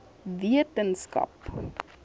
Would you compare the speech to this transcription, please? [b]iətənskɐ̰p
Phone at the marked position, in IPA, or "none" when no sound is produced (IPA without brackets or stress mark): v